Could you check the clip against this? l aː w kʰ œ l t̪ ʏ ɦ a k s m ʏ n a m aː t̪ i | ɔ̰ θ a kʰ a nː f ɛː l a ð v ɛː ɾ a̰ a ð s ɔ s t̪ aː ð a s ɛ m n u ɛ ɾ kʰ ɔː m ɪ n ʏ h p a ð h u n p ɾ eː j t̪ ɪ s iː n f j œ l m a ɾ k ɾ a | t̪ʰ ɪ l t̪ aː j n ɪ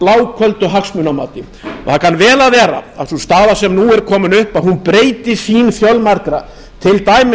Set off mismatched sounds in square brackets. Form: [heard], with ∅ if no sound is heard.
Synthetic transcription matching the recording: l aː w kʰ œ l t̪ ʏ ɦ a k s m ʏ n a m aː t̪ [ɪ] | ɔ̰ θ a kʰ a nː [v] ɛː l a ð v ɛː ɾ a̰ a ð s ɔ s t̪ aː ð a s ɛ m n u ɛ ɾ kʰ ɔː m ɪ n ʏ h p a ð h u n p ɾ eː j t̪ ɪ s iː n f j œ l m a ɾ k ɾ a | t̪ʰ ɪ l t̪ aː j [m] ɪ